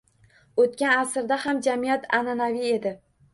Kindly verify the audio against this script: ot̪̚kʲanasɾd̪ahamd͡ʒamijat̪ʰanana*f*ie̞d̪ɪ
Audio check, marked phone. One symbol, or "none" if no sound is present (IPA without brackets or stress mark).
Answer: v